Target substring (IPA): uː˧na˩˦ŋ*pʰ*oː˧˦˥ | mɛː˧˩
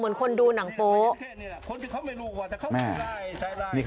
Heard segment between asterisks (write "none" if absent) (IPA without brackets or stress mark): p